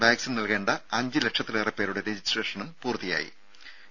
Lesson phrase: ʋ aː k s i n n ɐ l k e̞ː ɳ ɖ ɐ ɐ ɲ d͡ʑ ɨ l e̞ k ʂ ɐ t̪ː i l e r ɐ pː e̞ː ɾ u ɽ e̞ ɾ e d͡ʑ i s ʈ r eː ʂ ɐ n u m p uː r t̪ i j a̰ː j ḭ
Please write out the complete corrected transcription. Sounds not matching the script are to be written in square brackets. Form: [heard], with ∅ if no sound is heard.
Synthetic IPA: ʋ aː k s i n n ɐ l k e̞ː ɳ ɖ ɐ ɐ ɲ d͡ʑ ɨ l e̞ k ʂ ɐ t̪ː i l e r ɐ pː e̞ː ɾ u ɽ e̞ ɾ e d͡ʑ i s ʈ r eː ʂ ɐ n u m p uː r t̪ i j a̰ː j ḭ